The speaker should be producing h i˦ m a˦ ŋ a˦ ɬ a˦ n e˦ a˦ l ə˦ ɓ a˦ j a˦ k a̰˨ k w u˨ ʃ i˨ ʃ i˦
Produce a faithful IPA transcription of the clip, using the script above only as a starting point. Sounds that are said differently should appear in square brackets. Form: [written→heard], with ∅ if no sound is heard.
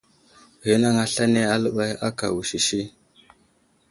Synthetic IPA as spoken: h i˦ [m→n] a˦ ŋ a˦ ɬ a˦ n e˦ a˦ l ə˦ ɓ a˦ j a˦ k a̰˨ [k→∅] w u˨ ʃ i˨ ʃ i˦